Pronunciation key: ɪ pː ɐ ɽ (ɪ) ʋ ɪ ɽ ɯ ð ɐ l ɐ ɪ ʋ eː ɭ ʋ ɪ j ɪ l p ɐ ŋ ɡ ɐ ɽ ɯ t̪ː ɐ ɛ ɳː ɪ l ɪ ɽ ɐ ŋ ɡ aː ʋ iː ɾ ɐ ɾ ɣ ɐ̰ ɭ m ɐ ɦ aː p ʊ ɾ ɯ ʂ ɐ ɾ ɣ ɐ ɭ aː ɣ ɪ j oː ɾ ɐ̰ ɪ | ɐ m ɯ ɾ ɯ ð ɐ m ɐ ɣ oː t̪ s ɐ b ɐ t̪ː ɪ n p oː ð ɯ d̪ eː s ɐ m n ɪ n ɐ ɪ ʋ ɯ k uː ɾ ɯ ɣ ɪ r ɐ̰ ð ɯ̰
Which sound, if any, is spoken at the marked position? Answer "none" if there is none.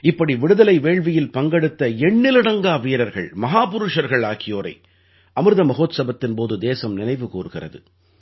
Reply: i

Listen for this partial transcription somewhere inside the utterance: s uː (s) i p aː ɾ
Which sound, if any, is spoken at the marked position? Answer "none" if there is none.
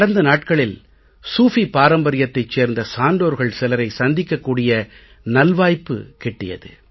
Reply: f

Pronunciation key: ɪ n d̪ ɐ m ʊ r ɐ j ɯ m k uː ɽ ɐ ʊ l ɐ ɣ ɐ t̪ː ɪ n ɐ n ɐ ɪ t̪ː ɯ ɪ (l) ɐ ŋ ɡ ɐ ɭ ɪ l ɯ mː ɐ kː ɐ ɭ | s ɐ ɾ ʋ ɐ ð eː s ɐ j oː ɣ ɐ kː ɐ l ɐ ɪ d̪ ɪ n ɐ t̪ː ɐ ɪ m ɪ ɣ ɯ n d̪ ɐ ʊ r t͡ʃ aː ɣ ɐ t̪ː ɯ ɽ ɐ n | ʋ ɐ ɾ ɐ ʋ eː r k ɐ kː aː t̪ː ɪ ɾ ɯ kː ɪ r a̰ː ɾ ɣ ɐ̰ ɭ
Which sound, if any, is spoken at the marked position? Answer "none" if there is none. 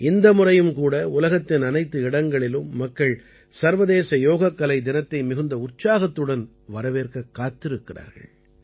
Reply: ɽ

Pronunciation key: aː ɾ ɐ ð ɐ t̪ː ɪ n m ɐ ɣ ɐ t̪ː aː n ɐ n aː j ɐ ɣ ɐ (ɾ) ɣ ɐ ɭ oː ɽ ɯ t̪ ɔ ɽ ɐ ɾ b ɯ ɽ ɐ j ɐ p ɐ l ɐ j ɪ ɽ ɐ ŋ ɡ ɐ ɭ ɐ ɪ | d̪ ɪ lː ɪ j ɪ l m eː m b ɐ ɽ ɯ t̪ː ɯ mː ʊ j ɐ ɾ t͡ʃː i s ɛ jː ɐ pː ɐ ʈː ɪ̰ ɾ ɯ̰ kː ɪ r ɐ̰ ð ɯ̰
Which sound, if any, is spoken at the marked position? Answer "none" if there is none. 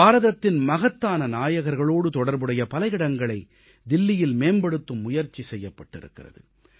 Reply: ɾ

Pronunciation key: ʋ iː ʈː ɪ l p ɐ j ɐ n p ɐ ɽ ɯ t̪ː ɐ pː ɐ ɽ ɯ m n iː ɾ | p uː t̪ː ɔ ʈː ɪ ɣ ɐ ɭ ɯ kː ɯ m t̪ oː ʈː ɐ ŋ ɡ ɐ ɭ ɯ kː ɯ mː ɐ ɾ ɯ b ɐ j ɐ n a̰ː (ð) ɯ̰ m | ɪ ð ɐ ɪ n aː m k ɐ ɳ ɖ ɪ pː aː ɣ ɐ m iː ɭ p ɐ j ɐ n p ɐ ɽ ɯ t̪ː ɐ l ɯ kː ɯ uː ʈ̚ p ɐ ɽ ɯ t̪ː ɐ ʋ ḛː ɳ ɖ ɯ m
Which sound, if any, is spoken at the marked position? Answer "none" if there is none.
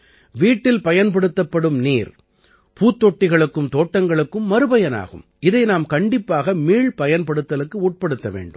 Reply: ɣ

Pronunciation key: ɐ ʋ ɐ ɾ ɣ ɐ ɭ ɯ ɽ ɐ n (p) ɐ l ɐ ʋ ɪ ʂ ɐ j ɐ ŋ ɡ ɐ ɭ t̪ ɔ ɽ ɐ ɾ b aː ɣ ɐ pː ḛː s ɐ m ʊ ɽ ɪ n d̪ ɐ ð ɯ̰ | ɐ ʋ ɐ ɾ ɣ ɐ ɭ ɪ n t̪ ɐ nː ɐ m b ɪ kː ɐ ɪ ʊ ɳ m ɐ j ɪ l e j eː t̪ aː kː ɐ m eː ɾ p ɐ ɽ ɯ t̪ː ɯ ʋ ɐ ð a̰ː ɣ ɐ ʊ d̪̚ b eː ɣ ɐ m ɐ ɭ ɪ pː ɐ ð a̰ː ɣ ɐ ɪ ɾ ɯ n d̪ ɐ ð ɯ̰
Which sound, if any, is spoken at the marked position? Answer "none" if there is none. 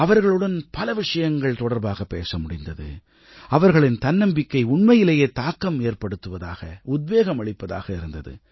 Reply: p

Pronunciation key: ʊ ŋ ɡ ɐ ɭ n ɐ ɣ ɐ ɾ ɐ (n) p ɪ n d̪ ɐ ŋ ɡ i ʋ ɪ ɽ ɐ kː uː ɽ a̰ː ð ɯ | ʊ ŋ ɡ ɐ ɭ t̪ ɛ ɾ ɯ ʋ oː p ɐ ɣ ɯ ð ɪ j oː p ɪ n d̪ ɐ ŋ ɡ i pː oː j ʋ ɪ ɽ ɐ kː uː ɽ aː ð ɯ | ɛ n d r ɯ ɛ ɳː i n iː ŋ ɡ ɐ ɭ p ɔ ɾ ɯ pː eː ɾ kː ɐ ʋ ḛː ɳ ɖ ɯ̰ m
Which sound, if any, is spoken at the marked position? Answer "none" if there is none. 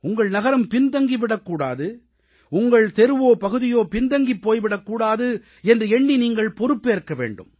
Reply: m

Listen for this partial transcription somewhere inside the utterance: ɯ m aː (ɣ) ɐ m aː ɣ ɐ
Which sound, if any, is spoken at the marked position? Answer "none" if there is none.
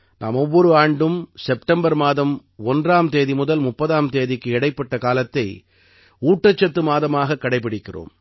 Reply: ð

